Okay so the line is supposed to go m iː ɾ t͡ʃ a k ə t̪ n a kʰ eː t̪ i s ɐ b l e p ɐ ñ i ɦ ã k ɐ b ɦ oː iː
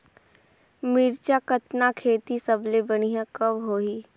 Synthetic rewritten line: m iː ɾ t͡ʃ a k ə t̪ n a kʰ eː t̪ i s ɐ b l e b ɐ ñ i ɦ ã k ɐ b ɦ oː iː